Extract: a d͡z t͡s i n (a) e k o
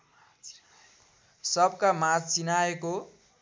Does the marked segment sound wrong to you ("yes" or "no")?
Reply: no